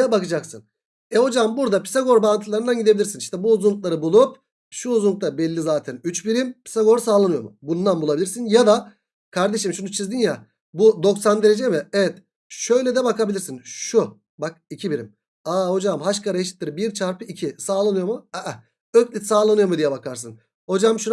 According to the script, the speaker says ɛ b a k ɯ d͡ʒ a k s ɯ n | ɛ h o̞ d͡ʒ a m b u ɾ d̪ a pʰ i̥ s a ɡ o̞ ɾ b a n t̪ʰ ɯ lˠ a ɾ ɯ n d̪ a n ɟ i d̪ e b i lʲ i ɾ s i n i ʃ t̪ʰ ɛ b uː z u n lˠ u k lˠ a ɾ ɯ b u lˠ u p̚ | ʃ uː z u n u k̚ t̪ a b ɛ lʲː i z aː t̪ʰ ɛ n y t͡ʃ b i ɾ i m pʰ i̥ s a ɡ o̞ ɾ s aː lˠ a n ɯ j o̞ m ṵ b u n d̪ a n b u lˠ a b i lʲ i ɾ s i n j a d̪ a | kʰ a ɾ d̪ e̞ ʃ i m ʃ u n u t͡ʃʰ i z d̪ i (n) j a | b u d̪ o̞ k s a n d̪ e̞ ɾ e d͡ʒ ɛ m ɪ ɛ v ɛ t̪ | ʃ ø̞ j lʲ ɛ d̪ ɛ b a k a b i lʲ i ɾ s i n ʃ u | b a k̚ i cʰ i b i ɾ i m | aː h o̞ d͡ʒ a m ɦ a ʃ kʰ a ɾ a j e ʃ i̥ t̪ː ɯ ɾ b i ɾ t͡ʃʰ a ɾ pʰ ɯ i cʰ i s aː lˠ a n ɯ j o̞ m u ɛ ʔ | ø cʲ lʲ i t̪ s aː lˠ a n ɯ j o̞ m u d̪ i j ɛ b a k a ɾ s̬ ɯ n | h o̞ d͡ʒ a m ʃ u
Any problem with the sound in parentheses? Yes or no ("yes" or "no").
no